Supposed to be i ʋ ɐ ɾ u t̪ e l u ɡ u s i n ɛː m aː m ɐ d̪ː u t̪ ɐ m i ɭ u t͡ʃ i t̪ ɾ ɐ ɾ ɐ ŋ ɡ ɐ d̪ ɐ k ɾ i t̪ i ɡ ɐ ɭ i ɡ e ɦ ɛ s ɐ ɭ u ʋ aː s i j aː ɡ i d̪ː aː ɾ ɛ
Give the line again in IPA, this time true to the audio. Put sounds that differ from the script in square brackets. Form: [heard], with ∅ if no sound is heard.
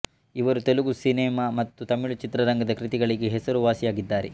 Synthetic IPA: i ʋ ɐ ɾ u t̪ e l u ɡ u s i n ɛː m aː m ɐ [t̪ː] u t̪ ɐ m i ɭ u t͡ʃ i t̪ ɾ ɐ ɾ ɐ ŋ ɡ ɐ d̪ ɐ k ɾ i t̪ i ɡ ɐ ɭ i ɡ e ɦ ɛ s ɐ [ɾ] u ʋ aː s i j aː ɡ i d̪ː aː ɾ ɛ

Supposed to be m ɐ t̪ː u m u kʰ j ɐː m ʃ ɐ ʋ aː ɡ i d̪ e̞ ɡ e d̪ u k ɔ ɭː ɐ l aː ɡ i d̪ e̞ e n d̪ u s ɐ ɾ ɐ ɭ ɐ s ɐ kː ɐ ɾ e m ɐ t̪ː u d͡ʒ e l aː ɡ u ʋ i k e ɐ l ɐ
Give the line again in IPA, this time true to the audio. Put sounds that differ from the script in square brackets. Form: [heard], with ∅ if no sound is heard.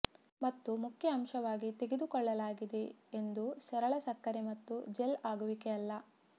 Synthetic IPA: m ɐ t̪ː u m u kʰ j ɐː m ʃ ɐ ʋ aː ɡ i [t̪] e̞ ɡ e d̪ u k ɔ ɭː ɐ l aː ɡ i d̪ e̞ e n d̪ u s ɐ ɾ ɐ ɭ ɐ s ɐ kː ɐ ɾ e m ɐ t̪ː u d͡ʒ e l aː ɡ u ʋ i k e ɐ [lː] ɐ

